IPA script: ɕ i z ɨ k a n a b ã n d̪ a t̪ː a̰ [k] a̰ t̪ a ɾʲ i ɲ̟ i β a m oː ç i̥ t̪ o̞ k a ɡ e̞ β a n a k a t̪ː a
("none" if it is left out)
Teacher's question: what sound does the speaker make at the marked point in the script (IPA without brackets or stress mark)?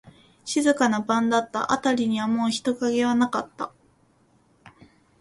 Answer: ʔ